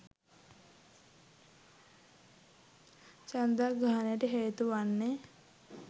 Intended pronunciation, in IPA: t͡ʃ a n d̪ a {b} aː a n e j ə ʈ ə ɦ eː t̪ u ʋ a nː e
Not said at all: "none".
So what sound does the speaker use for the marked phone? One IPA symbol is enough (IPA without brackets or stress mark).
ɡ